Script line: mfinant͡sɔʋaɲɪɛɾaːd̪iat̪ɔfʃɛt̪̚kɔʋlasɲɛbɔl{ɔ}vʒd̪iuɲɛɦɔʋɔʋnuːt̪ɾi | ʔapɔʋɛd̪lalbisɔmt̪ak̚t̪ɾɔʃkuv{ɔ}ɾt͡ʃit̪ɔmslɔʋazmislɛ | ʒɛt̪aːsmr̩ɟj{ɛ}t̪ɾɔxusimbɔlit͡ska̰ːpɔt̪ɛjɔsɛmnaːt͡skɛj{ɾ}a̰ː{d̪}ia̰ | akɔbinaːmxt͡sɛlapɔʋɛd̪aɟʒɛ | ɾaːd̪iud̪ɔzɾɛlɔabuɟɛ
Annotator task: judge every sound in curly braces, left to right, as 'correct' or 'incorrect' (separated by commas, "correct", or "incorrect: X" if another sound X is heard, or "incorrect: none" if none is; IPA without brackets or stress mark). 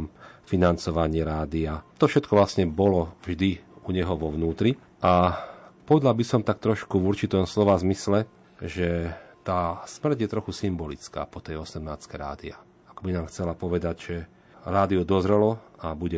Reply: correct, incorrect: u, correct, correct, correct